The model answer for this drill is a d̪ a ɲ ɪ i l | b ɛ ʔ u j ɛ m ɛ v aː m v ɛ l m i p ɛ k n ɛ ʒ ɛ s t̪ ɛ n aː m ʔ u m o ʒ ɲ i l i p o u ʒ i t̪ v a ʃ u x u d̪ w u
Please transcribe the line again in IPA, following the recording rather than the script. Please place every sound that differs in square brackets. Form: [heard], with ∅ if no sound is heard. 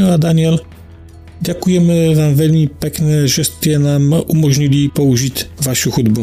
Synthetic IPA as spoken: a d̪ a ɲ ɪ [ɛ] l | [ɟ] ɛ [k] u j ɛ m ɛ v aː m v ɛ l m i p ɛ k n ɛ ʒ ɛ s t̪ ɛ n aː m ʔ u m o ʒ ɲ i l i p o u ʒ i t̪ v a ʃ u x u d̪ [b] u